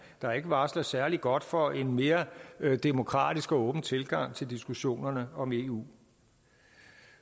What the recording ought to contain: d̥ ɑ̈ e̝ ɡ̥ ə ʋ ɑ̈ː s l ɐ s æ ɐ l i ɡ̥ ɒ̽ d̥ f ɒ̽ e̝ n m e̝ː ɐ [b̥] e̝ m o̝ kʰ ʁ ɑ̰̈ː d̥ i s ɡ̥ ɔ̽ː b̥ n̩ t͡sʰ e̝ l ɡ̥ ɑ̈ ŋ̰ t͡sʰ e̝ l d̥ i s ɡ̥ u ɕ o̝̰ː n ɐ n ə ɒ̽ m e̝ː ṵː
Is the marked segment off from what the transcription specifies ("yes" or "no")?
yes